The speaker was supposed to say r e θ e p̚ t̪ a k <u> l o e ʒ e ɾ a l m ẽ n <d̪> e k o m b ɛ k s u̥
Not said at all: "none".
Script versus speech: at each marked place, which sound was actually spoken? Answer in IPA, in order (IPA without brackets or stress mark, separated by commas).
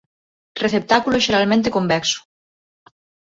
u, t̪